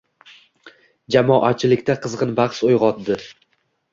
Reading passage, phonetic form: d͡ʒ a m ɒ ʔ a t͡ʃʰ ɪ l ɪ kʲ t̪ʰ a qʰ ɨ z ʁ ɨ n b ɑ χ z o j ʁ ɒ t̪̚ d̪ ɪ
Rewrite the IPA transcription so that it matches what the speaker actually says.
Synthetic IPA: d͡ʒ a m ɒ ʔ a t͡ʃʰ ɪ l ɪ kʲ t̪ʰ a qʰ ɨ z ʁ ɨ n b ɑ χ s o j ʁ ɒ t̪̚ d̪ ɪ